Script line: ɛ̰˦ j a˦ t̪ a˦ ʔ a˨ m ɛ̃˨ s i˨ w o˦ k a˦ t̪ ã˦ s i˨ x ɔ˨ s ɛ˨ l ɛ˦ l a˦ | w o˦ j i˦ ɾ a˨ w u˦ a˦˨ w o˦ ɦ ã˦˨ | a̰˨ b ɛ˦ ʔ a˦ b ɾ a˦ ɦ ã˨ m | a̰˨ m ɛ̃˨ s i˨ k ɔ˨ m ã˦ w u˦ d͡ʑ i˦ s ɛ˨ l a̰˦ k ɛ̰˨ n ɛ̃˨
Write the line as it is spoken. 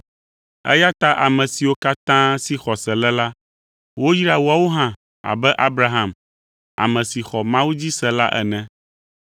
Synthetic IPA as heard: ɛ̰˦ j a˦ t̪ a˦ ʔ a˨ m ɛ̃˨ s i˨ w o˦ k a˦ t̪ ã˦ s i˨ x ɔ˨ s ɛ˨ l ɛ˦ l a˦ | w o˦ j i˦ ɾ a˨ w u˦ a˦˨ w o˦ ɦ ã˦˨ | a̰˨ b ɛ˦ ʔ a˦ b ɾ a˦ ɦ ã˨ m | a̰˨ m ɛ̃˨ s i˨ x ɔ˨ m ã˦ w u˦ d͡ʑ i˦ s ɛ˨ l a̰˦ ʔ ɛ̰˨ n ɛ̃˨